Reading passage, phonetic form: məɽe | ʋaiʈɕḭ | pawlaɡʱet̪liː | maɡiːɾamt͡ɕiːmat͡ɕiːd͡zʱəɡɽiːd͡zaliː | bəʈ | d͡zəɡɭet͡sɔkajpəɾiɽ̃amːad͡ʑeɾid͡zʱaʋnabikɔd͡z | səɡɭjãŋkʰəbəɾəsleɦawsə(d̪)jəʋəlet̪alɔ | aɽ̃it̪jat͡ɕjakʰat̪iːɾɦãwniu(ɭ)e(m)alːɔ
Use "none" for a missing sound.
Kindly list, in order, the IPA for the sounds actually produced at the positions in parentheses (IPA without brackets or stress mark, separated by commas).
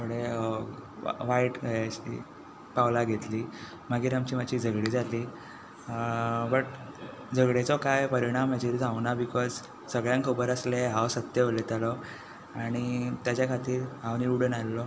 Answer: t̪, ɽ, n